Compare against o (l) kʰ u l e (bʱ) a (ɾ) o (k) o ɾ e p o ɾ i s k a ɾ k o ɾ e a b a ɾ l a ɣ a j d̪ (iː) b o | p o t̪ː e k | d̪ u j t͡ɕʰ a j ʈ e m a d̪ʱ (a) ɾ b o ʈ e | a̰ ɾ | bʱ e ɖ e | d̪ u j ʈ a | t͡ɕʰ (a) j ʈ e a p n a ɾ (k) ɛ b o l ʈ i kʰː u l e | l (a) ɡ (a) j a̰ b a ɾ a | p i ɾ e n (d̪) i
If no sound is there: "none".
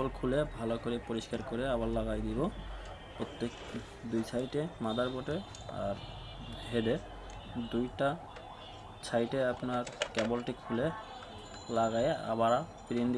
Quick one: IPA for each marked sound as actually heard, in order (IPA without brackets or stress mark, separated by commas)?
l, bʱ, l, k, i, a, a, k, a, a, d̪